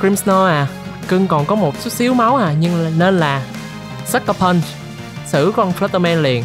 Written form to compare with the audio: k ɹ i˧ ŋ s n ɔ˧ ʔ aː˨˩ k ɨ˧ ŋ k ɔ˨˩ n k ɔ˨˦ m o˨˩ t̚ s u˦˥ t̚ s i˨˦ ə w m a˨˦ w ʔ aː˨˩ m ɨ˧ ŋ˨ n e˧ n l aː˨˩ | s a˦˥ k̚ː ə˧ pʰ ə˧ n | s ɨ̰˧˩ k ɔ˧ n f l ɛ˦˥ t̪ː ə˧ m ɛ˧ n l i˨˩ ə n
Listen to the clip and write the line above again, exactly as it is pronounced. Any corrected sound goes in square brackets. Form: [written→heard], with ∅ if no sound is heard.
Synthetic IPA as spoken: k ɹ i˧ [ŋ→m] s n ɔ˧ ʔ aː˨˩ k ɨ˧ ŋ k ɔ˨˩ n k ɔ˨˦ m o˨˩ t̚ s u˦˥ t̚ s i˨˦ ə w m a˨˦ w ʔ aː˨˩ [m→ɲ] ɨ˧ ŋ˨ n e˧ n l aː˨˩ | s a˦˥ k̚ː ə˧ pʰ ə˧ n | s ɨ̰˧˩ k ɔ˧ n f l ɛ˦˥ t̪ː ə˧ m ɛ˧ n l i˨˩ ə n